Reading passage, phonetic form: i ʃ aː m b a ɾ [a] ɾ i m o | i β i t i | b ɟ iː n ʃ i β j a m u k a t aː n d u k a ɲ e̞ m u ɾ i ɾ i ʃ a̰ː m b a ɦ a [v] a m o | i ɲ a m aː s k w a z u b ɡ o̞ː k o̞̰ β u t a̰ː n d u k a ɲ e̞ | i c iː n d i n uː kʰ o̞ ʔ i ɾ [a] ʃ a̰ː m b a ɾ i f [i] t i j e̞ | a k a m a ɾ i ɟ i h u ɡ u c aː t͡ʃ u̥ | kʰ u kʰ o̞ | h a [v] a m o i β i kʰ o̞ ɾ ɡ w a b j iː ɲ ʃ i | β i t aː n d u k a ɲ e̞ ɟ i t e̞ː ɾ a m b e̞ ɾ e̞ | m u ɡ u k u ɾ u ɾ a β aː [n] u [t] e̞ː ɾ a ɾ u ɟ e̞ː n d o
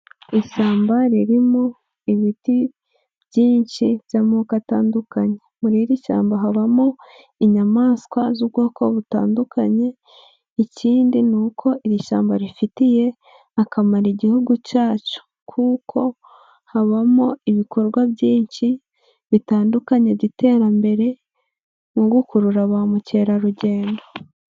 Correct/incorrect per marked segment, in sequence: incorrect, incorrect, incorrect, correct, incorrect, incorrect, incorrect

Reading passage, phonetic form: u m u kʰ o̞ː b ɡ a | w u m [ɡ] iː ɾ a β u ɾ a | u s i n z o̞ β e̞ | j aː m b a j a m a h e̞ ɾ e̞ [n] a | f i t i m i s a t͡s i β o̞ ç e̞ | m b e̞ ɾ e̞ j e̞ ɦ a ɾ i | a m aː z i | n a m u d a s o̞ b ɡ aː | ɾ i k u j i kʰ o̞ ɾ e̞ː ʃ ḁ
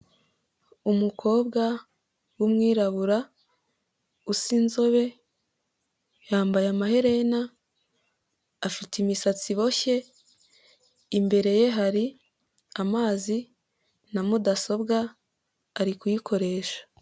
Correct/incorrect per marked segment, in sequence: incorrect, correct

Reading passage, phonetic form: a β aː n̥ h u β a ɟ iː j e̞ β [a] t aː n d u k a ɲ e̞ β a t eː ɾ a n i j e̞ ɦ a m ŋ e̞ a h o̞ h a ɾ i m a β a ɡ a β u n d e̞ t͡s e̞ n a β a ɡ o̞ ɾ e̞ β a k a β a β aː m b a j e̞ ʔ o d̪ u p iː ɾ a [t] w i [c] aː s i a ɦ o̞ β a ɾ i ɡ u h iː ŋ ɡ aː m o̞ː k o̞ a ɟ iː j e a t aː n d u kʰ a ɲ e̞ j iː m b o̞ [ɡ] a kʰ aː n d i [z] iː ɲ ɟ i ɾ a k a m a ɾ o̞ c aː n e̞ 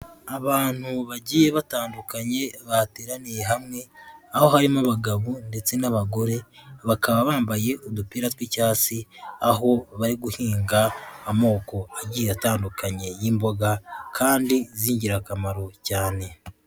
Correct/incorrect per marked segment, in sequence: correct, correct, correct, correct, correct

